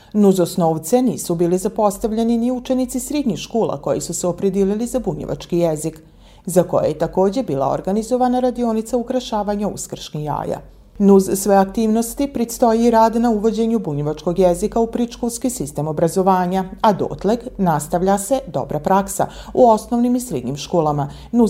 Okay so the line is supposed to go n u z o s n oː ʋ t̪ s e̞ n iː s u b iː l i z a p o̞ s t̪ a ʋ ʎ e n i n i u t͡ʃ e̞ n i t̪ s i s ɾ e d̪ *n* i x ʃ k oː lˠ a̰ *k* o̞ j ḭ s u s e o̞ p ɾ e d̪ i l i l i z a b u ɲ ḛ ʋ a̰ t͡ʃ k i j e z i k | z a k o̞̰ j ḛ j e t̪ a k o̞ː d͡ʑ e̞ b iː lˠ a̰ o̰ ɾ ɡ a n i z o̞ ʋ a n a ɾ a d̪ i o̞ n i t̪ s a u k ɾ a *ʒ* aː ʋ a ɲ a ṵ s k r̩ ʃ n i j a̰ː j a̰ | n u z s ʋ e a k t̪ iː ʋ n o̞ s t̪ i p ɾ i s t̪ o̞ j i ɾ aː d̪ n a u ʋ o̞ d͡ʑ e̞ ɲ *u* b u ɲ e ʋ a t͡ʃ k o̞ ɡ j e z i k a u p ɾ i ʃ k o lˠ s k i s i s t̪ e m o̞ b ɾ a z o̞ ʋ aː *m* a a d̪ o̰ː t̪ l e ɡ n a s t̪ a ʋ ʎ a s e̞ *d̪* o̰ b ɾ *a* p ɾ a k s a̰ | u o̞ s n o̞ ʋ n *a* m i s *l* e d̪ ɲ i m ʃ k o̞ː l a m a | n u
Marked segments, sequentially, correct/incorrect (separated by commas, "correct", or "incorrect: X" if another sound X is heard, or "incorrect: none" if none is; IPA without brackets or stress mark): incorrect: ɲ, correct, incorrect: ʃ, correct, incorrect: ɲ, correct, correct, incorrect: i, incorrect: ɾ